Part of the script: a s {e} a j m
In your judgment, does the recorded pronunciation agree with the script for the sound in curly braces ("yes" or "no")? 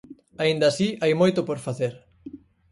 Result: no